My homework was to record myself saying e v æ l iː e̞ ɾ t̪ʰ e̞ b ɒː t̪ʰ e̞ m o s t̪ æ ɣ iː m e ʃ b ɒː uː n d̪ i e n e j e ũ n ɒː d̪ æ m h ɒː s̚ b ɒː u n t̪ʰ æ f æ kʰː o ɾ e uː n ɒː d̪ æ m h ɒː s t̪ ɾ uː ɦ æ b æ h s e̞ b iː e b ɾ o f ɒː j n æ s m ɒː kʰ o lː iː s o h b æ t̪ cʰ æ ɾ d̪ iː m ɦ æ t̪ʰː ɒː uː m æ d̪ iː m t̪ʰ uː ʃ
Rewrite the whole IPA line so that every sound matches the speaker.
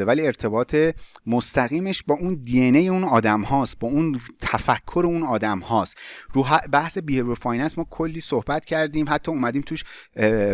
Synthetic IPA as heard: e v æ l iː e̞ ɾ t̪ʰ e̞ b ɒː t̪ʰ e̞ m o s t̪ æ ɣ iː m e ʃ b ɒː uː n d̪ i e n e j e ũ n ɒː d̪ æ m h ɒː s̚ b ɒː u n t̪ʰ æ f æ kʰː o ɾ e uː n ɒː d̪ æ m h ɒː s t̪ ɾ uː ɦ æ b æ h s e̞ b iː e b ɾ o f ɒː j n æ s m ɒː kʰ o lː iː s o h b æ t̪ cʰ æ ɾ d̪ iː m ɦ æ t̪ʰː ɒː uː m æ d̪ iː m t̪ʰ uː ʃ